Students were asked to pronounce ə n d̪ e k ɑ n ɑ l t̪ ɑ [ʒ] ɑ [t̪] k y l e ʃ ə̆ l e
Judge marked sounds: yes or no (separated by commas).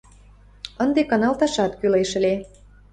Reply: no, yes